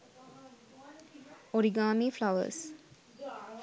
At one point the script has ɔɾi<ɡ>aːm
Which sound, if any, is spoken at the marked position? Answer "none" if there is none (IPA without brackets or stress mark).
ɡ